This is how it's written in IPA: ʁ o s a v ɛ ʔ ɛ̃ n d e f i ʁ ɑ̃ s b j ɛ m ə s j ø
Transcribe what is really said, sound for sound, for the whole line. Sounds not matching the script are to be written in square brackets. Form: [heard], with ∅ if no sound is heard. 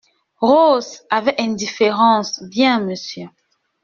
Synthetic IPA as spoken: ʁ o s a v ɛ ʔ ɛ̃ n d [i] f [e] ʁ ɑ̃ s b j [ɛ̃] m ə s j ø